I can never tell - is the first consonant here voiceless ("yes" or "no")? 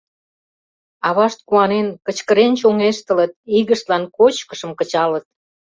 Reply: no